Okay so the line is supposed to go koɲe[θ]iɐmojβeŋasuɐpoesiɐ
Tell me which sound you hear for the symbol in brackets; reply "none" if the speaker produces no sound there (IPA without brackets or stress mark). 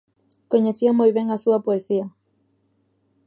θ